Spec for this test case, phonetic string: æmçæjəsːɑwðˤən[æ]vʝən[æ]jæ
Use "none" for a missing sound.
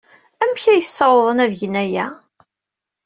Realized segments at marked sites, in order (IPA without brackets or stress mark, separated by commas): æ, æ